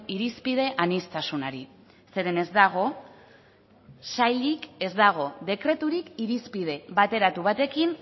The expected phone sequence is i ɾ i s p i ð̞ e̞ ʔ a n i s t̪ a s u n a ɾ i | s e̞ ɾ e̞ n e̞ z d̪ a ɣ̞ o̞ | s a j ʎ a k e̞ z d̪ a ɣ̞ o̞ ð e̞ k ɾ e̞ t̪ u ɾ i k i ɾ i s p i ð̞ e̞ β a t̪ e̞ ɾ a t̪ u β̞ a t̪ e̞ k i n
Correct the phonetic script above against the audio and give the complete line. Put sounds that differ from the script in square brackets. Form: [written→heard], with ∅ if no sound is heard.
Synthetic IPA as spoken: i ɾ i s p i ð̞ e̞ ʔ a n i s t̪ a s u n a ɾ i | s e̞ ɾ e̞ n e̞ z d̪ a ɣ̞ o̞ | s a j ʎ [a→i] k e̞ z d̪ a ɣ̞ o̞ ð e̞ k ɾ e̞ t̪ u ɾ i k i ɾ i s p i ð̞ e̞ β a t̪ e̞ ɾ a t̪ u β̞ a t̪ e̞ k i n